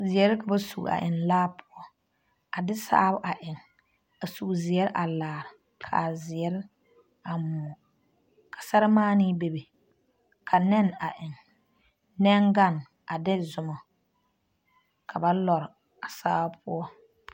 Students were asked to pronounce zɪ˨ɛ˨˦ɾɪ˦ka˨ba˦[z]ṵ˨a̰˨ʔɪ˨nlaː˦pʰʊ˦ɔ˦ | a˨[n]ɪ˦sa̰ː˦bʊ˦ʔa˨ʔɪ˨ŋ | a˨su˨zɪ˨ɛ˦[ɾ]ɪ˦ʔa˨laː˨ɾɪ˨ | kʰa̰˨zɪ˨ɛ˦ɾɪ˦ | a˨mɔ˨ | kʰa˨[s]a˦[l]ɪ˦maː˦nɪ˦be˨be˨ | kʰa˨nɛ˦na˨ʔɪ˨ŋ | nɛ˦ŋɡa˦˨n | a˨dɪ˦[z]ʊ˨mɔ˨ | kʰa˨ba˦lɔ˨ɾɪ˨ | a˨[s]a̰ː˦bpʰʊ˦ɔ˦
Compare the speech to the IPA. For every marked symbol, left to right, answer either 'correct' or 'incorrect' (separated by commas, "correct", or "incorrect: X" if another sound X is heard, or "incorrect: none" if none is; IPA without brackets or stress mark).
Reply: incorrect: s, incorrect: d, correct, correct, incorrect: ɾ, correct, correct